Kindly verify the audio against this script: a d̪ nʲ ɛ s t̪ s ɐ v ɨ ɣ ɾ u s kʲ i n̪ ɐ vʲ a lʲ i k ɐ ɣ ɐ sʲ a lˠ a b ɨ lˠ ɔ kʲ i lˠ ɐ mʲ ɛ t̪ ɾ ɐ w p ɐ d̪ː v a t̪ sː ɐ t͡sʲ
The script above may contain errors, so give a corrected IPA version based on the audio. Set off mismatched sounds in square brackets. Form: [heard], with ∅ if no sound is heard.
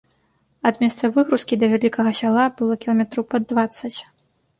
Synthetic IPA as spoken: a d̪ [mʲ] ɛ s t̪ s ɐ v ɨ ɣ ɾ u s kʲ i [d̪] ɐ vʲ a lʲ i k ɐ ɣ ɐ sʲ a lˠ a b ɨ lˠ ɔ kʲ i lˠ ɐ mʲ ɛ t̪ ɾ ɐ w p ɐ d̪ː v a t̪ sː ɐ t͡sʲ